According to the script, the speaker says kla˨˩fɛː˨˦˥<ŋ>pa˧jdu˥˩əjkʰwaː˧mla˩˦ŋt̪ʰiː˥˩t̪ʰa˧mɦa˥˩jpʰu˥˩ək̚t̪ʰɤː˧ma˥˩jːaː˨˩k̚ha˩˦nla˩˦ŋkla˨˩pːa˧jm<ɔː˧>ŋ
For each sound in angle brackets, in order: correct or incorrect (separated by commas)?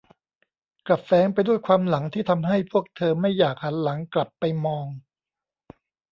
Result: correct, correct